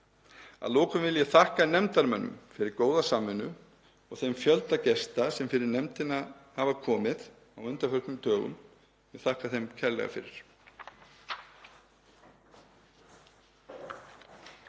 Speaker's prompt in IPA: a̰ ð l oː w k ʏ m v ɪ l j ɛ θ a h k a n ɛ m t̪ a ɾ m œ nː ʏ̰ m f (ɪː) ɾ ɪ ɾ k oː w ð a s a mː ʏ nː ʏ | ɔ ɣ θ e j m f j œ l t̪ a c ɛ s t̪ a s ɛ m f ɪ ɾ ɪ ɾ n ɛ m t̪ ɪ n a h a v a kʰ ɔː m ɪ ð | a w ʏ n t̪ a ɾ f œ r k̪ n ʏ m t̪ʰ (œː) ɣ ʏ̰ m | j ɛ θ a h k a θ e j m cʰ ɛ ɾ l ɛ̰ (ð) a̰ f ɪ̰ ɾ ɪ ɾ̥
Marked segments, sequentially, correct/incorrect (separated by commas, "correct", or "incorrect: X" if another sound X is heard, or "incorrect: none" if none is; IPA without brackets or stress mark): incorrect: ɪ, correct, incorrect: ɣ